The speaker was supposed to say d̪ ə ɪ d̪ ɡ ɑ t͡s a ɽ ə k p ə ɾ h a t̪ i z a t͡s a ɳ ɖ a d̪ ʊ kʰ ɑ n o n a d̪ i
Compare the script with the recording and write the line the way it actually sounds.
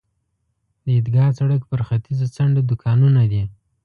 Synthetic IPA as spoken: d̪ ə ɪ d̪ ɡ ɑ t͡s a ɽ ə k p ə ɾ x a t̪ i z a t͡s a ɳ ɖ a d̪ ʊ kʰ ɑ n u n a d̪ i